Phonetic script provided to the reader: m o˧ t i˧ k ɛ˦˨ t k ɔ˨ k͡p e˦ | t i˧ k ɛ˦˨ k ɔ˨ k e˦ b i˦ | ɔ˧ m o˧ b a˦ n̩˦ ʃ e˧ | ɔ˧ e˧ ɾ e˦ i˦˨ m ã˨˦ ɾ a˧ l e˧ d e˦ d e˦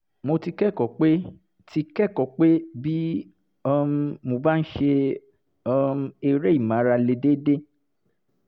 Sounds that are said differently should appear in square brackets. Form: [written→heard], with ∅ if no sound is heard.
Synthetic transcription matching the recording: m o˧ t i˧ k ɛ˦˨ [t→∅] k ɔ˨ k͡p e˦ | t i˧ k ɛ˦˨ k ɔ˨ [k→k͡p] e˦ b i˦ | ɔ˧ m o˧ b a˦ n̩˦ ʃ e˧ | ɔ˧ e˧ ɾ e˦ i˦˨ m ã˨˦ ɾ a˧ l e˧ d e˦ d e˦